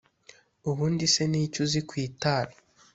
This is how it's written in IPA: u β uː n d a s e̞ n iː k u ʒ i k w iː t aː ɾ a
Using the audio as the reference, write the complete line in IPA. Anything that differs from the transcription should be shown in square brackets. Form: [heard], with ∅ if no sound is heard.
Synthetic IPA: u β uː n d [i] s e̞ n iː [c] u [z] i k w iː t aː ɾ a

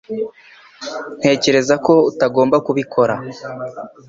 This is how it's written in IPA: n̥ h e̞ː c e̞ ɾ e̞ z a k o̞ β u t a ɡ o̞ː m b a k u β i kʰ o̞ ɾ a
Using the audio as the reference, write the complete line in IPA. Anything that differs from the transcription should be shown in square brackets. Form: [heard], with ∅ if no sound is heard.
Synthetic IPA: n̥ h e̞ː c e̞ ɾ e̞ z a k o̞ [∅] u t a ɡ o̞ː m b a k u β i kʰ o̞ ɾ a

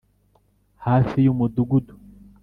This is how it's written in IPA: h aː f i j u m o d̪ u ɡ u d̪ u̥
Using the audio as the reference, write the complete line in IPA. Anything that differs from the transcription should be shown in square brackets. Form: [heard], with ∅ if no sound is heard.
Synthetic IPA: h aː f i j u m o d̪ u ɡ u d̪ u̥

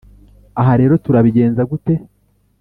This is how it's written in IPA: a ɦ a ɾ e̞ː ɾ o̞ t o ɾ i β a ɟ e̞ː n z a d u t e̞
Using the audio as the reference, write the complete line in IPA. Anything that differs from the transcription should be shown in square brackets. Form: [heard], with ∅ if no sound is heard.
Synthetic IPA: a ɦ a ɾ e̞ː ɾ o̞ t [u] ɾ [a] β [i] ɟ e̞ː n z a [ɡ] u t e̞

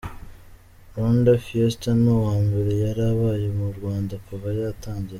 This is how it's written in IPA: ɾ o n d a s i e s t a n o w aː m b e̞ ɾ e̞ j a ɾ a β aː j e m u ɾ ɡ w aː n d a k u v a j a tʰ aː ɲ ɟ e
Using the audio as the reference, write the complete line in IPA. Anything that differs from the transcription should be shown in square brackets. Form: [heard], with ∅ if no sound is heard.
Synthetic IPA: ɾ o n d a [f] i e s t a n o w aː m b e̞ ɾ e̞ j a ɾ a β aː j e m u ɾ ɡ w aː n d a k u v a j a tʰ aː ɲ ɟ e

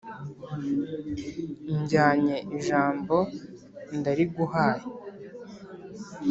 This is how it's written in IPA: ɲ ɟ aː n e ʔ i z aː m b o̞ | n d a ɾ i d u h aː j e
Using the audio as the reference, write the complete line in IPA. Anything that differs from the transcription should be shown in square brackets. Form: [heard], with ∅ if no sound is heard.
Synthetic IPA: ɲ ɟ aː [ɲ] e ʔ i [ʒ] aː m b o̞ | n d a ɾ i [ɡ] u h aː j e

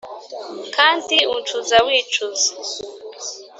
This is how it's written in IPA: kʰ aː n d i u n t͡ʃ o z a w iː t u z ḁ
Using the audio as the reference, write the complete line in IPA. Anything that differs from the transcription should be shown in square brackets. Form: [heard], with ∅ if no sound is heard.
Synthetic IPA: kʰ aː n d i u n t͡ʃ [u] z a w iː [t͡ʃ] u z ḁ

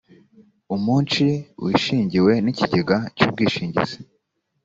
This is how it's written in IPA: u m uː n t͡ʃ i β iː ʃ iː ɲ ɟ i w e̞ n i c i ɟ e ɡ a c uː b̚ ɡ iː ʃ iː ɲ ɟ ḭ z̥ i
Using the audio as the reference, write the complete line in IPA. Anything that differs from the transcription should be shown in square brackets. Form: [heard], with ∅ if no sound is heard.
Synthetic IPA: u m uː n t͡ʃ i [w] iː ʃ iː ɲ ɟ i w e̞ n i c i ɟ e ɡ a c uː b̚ ɡ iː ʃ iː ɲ ɟ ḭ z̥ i

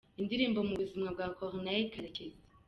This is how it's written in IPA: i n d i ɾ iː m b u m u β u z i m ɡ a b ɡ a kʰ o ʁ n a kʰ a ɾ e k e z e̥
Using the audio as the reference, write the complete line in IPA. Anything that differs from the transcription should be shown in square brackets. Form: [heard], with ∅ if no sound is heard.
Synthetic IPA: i n d i ɾ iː m b [o] m u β u z i m [ŋ] a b ɡ a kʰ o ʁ n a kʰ a ɾ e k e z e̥

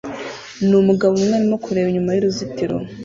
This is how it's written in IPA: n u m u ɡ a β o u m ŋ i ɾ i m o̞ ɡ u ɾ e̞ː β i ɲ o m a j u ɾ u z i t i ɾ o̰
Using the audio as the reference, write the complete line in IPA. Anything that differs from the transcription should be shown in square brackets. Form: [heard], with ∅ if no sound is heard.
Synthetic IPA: n u m u ɡ a β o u m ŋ [e] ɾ i m o̞ [k] u ɾ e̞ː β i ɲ [u] m a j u ɾ u z i t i ɾ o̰

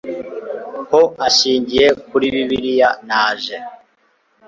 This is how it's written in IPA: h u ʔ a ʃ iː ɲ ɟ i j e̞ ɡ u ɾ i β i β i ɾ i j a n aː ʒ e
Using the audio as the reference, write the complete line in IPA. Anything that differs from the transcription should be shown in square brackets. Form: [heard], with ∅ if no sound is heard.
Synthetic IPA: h [o] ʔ a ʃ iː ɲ ɟ i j e̞ [k] u ɾ i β i β i ɾ i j a n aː ʒ e

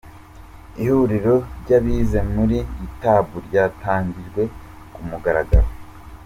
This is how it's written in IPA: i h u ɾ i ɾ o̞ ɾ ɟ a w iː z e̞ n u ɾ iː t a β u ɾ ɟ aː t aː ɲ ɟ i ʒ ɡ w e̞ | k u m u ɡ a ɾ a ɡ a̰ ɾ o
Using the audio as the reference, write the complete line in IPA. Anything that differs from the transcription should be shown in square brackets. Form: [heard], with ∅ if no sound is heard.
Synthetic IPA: i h u ɾ i ɾ o̞ ɾ ɟ a [β] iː z e̞ [m] u ɾ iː t a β u ɾ ɟ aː t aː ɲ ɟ i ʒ ɡ w e̞ | k u m u ɡ a ɾ a ɡ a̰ ɾ o

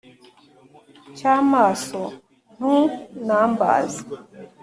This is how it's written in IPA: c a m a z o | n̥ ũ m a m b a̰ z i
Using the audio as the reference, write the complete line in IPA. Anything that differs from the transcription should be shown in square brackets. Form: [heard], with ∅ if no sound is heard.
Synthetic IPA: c a m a [s] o | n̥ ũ [n] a m b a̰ z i

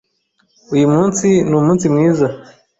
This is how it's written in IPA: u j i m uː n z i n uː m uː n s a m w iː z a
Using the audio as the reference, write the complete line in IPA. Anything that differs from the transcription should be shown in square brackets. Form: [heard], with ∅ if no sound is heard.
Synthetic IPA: u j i m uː n [s] i n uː m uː n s [i] m w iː z a

